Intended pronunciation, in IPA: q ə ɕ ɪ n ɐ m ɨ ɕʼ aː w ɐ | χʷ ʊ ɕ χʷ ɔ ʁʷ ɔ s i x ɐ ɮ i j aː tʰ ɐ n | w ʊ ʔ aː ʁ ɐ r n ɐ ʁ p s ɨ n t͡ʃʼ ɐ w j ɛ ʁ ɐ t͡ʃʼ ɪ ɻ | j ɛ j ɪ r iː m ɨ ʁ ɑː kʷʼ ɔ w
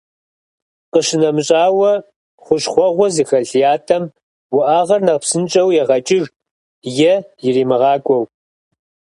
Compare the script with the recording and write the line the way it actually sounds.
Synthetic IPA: q ə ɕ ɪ n ɐ m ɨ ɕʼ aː w ɐ | χʷ ʊ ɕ χʷ ɔ ʁʷ ɔ z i x ɐ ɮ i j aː tʰ ɐ m | w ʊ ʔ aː ʁ ɐ r n ɐ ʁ p s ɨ n t͡ʃʼ ɐ w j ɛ ʁ ɐ t͡ʃʼ ɪ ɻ | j ɛ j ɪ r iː m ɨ ʁ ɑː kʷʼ ɔ w